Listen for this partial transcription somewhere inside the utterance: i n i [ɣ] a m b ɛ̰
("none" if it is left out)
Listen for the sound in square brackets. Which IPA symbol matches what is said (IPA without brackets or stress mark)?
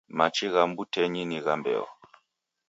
ɣ